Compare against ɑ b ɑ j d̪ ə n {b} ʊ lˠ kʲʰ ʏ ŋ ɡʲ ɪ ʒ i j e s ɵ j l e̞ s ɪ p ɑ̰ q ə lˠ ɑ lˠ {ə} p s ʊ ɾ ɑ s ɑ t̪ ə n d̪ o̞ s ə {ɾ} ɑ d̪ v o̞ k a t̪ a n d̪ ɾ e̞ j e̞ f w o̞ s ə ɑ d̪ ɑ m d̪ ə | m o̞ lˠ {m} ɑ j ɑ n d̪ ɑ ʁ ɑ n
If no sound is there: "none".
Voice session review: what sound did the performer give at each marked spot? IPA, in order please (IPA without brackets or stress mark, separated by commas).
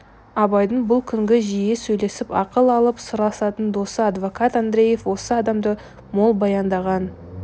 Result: b, ə, none, b